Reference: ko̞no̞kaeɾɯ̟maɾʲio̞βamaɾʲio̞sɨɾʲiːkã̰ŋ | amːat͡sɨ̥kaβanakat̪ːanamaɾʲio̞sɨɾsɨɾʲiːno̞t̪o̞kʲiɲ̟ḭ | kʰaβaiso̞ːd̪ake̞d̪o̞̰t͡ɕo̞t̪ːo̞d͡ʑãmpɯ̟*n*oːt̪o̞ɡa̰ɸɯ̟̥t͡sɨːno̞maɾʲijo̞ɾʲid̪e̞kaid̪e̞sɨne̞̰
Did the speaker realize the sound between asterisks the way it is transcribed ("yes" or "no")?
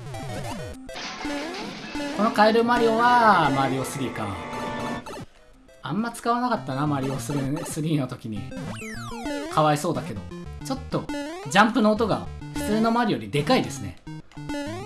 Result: yes